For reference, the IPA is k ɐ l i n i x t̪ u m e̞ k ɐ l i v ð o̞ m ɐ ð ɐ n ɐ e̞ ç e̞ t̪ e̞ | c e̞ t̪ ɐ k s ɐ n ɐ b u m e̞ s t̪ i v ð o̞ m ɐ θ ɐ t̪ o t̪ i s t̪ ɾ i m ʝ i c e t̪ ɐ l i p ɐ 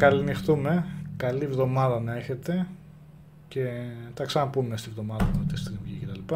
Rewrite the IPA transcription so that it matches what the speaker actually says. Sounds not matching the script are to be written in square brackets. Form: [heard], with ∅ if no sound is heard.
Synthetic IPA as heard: k ɐ l i n i x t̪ u m e̞ k ɐ l i v ð o̞ m ɐ ð ɐ n ɐ e̞ ç e̞ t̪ e̞ | c e̞ t̪ ɐ k s ɐ n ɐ [p] u m e̞ s t̪ i v ð o̞ m ɐ [ð] ɐ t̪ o t̪ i s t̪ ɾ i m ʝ i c e t̪ ɐ l i p ɐ